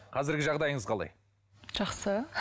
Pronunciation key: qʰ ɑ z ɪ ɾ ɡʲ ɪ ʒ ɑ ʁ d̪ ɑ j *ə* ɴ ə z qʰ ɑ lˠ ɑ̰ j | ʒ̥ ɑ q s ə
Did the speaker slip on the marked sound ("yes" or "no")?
no